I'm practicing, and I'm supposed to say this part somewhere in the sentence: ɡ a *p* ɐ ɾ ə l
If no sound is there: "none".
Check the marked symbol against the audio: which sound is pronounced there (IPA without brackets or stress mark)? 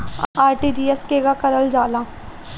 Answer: k